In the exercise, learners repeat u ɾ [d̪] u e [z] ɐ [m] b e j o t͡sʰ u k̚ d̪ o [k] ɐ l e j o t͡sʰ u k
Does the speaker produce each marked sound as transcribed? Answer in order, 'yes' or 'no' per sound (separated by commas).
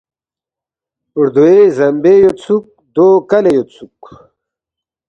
yes, yes, yes, yes